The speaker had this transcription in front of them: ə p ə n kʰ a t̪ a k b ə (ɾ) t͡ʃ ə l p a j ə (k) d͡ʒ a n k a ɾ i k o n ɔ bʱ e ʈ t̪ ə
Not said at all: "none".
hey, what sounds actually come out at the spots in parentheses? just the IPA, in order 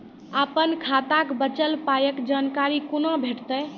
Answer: none, k

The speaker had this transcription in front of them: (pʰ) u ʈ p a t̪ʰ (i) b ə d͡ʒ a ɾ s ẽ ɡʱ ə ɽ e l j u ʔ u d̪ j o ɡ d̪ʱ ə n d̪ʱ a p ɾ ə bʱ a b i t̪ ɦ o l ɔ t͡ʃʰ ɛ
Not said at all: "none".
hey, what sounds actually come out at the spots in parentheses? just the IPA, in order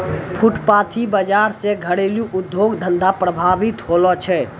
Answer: pʰ, i

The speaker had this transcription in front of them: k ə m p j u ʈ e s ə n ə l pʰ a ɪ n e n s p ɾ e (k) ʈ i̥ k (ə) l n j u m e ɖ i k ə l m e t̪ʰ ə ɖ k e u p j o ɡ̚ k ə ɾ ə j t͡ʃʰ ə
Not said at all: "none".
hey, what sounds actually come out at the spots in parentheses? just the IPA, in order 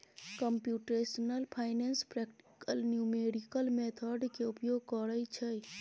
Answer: k, ə

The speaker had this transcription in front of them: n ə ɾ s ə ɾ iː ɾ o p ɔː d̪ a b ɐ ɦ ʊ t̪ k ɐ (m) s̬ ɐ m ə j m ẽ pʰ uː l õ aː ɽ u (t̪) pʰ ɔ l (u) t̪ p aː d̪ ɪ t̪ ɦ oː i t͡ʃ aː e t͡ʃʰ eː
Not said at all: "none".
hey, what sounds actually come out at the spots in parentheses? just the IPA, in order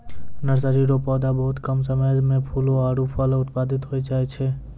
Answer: m, none, ʊ

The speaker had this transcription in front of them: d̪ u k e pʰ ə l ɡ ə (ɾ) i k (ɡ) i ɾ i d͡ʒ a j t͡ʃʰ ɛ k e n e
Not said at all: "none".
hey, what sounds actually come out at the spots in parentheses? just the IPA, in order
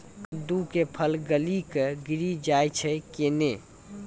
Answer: l, ɡ

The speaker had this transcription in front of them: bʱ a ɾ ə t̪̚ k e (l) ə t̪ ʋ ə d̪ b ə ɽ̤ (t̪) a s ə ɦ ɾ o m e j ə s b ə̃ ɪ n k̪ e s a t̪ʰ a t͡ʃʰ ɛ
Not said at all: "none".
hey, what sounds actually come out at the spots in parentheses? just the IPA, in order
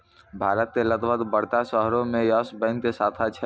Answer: l, t̪

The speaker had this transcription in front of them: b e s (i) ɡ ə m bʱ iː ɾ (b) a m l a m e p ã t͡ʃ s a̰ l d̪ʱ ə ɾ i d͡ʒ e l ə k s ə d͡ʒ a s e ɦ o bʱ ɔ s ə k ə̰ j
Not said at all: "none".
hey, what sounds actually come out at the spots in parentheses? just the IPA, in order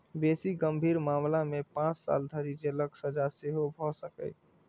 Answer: i, m

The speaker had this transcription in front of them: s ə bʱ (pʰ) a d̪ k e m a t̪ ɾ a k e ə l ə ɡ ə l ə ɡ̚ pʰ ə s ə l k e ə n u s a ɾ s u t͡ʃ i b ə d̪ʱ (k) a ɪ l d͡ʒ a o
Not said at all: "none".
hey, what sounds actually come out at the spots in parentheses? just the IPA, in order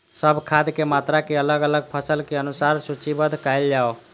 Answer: kʰ, k

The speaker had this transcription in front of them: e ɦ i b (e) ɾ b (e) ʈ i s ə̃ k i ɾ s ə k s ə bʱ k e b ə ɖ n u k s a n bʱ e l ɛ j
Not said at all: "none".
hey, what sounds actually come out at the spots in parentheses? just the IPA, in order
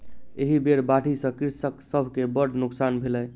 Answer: e, a

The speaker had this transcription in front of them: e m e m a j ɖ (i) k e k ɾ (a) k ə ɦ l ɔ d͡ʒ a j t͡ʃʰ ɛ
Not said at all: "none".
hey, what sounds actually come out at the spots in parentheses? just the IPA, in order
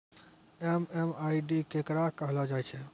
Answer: i, a

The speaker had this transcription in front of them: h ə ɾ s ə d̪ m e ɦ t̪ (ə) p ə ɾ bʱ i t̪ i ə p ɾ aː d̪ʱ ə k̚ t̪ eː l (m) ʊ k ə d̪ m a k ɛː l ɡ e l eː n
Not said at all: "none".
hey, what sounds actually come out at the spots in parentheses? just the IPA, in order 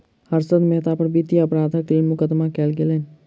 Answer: a, m

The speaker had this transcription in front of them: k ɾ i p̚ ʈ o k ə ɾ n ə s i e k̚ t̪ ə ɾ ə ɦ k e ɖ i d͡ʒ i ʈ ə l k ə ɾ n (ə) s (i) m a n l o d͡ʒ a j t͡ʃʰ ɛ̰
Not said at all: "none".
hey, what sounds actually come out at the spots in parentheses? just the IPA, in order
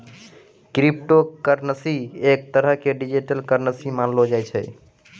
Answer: ə, i

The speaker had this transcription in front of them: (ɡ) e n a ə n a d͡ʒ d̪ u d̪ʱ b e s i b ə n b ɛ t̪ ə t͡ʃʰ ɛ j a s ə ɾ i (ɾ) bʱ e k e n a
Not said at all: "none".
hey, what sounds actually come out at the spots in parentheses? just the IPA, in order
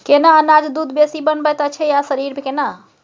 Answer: k, ɾ

